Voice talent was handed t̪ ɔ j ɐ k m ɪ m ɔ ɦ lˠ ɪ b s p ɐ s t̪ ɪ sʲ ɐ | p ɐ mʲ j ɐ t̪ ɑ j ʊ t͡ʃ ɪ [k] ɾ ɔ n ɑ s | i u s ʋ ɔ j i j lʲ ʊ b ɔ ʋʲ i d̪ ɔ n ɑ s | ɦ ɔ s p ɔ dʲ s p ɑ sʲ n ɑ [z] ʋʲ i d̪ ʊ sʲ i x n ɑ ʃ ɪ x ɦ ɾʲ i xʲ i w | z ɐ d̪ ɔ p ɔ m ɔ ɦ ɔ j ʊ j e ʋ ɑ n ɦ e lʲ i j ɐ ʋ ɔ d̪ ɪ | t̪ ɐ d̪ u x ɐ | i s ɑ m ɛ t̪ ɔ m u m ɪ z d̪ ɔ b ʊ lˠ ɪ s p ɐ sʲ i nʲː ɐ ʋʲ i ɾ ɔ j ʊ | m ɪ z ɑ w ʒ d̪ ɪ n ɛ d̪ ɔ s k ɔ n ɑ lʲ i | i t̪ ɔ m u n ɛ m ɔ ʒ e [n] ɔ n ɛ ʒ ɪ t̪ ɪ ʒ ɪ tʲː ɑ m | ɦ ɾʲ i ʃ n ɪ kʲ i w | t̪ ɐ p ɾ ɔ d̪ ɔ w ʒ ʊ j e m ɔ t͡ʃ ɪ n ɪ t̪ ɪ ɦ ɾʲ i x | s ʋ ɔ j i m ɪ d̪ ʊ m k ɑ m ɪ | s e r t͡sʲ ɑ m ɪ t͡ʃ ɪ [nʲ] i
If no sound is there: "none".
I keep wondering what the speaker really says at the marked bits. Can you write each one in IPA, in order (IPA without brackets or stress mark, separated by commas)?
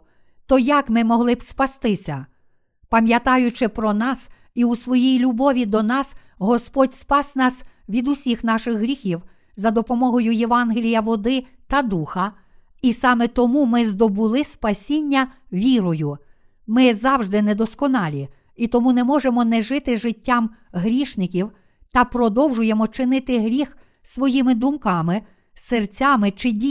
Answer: p, s, m, dʲ